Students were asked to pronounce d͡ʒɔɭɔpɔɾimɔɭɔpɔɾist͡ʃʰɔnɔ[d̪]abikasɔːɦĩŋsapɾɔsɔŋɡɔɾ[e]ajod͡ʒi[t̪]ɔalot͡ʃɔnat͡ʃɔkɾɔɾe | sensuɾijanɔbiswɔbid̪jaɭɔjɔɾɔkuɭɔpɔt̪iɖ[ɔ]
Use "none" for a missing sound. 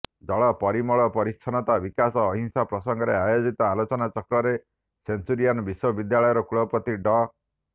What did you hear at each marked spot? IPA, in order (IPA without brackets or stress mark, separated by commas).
t̪, e, t̪, ɔ